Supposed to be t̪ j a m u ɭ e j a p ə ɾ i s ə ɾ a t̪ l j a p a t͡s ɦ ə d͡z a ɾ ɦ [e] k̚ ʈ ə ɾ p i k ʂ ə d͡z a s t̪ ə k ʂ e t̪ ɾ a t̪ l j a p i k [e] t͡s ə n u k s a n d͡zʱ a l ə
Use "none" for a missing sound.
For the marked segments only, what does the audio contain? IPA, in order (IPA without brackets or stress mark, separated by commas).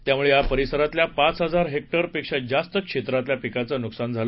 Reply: e, a